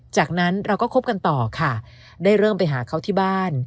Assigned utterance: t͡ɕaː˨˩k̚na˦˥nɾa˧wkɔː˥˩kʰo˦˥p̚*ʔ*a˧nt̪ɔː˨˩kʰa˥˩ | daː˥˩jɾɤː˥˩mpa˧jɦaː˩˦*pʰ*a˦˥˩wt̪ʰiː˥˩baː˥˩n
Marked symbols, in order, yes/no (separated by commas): no, no